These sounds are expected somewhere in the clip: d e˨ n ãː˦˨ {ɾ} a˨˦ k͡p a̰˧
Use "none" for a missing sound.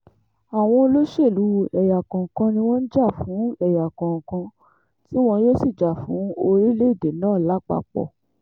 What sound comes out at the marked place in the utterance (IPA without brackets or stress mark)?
l